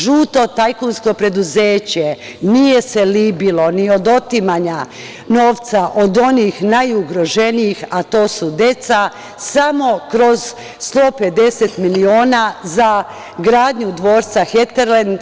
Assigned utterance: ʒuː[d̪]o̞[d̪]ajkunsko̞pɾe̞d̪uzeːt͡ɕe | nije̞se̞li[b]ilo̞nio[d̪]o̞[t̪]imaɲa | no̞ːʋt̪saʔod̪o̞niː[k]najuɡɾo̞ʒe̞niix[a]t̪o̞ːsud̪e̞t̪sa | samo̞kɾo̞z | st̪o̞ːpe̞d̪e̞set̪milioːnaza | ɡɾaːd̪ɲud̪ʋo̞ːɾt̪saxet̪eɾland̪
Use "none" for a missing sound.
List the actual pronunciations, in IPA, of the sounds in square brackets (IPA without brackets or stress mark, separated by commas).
t̪, t̪, b, d̪, t̪, x, a